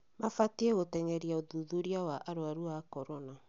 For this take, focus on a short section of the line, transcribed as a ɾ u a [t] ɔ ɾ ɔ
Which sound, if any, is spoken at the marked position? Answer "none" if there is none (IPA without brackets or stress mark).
k